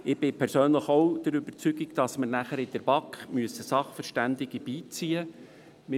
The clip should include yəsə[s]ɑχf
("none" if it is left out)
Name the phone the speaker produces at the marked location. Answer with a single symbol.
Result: s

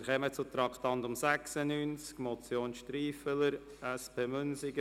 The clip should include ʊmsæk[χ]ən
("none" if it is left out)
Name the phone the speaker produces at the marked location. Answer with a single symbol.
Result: s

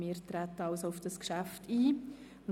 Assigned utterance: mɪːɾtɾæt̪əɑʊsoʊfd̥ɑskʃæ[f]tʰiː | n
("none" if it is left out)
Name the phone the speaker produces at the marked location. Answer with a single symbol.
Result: f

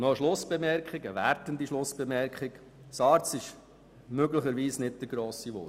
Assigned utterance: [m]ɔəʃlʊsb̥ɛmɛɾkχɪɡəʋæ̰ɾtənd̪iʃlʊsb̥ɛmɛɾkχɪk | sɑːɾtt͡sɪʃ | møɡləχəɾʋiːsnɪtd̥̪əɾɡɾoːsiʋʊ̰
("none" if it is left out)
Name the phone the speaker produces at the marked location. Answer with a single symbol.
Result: n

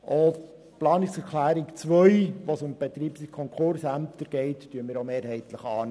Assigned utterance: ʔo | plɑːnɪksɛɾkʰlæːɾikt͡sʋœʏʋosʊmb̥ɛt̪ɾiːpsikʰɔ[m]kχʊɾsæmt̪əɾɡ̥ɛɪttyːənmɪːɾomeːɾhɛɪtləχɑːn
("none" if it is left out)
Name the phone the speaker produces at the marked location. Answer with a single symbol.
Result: ŋ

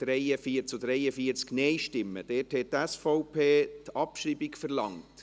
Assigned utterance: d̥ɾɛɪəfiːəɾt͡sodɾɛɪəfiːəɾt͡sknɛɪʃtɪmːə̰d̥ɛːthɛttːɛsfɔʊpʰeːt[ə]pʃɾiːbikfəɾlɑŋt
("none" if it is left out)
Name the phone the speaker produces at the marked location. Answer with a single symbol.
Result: ɑ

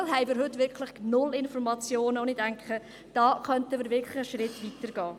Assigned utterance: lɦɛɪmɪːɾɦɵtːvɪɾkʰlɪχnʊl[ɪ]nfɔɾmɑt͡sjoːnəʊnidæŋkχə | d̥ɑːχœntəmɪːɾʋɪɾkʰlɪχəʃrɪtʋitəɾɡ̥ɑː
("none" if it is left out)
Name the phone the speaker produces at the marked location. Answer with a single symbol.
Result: ɪ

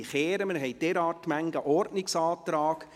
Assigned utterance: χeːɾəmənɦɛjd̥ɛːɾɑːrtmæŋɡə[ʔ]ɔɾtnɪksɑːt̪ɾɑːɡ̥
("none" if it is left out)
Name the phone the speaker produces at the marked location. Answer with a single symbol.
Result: ʔ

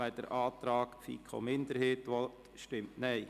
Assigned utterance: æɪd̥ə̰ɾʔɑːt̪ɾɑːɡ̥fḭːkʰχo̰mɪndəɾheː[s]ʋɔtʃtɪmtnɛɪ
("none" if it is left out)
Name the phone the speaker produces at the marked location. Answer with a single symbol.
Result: t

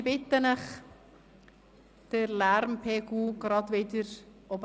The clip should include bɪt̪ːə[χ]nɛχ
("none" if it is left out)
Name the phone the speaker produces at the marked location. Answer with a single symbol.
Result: none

